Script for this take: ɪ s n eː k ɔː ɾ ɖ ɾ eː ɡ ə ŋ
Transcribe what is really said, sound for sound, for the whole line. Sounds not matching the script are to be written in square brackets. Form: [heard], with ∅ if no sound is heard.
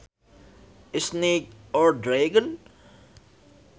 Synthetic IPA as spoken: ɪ s n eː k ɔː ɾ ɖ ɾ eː ɡ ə [n]